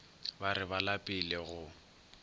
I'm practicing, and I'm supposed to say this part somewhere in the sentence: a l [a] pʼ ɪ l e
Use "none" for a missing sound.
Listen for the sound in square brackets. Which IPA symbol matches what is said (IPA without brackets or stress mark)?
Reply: a